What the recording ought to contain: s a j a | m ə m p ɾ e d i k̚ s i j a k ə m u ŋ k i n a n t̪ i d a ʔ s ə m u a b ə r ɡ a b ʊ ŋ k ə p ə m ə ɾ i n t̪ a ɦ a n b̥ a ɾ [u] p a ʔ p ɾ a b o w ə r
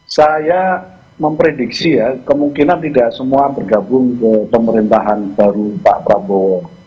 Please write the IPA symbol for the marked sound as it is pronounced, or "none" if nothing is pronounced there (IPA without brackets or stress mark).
u